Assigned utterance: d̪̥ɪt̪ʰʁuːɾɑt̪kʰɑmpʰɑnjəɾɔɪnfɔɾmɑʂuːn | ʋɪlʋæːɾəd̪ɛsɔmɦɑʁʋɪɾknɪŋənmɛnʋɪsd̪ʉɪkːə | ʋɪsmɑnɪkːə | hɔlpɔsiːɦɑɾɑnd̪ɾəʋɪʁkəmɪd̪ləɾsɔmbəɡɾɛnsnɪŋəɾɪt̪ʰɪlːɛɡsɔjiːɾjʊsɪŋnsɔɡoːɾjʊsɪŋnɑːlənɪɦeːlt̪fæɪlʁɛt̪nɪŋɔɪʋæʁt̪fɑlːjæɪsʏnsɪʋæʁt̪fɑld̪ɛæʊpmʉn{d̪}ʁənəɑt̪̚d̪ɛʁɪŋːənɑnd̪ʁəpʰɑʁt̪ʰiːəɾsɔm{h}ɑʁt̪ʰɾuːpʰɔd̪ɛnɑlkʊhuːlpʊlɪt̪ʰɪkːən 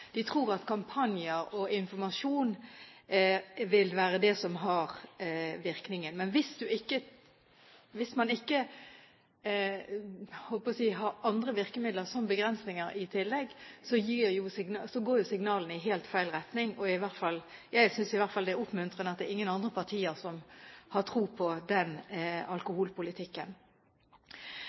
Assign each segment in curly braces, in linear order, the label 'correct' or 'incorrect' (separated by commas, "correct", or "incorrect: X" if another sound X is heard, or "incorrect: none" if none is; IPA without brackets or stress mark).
incorrect: t̪, correct